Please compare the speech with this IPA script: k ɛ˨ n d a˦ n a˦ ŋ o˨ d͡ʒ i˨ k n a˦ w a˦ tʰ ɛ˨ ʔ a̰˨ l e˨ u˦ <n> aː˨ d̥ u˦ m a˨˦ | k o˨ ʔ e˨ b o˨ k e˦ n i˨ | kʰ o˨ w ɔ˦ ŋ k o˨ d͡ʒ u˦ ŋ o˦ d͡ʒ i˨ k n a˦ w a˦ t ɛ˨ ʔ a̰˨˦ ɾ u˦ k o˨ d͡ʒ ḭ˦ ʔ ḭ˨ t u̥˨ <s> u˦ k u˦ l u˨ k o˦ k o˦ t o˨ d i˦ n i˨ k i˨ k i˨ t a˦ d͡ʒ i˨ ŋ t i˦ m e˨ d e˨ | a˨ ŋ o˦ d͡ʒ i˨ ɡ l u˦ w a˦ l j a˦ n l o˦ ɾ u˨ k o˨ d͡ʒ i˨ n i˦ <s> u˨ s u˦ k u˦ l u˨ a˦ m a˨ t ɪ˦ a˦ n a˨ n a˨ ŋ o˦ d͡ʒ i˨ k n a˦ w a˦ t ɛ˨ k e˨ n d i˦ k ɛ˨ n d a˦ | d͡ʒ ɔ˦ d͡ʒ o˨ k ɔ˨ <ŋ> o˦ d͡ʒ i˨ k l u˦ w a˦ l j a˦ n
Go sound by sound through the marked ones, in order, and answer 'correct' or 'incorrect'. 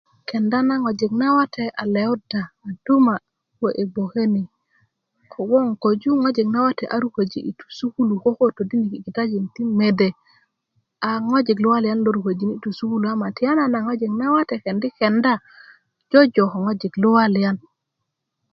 incorrect: d, correct, incorrect: t, correct

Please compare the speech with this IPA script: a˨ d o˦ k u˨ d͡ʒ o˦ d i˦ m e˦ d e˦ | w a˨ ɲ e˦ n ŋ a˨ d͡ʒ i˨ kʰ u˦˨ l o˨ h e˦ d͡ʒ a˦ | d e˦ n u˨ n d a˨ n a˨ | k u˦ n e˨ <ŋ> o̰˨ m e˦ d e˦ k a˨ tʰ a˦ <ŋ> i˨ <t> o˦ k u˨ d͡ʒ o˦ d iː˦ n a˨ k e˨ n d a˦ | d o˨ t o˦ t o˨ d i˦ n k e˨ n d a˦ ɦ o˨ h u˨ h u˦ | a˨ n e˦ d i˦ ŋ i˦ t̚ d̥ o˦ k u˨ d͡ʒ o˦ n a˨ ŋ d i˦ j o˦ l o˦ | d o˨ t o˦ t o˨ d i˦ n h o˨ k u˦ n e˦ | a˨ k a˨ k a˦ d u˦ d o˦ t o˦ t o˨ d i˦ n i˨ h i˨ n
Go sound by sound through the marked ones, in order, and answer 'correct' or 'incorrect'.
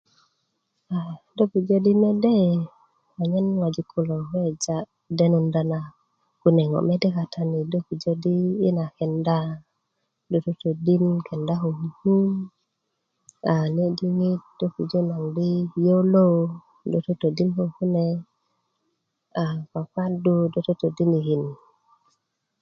correct, incorrect: n, incorrect: d

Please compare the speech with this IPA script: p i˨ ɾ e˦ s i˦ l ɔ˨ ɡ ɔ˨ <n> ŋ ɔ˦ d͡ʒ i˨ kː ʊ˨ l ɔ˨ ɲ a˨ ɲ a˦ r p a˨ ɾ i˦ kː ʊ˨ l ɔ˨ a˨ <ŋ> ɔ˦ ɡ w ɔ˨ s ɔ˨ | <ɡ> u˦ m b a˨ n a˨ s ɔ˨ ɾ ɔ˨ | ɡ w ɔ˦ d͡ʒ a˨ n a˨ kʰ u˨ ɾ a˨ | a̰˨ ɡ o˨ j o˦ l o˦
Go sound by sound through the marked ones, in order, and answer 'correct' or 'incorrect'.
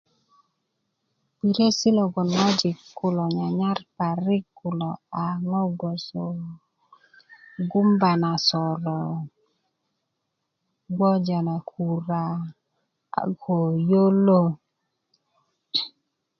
correct, correct, correct

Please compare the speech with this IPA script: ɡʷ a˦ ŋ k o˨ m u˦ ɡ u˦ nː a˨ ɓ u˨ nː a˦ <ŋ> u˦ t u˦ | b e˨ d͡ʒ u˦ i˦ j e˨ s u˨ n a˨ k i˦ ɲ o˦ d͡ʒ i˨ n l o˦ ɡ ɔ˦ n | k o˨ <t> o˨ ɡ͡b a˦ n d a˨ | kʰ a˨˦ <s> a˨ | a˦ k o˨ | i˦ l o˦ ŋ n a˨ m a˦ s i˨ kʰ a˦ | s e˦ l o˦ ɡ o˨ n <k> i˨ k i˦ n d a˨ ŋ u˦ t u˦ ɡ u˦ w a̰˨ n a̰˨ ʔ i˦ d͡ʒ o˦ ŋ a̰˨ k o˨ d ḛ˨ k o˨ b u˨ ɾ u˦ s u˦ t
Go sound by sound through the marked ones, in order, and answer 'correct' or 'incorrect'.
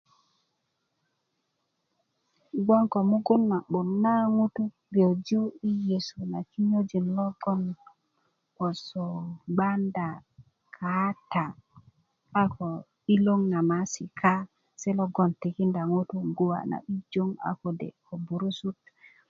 correct, incorrect: s, incorrect: t, incorrect: t

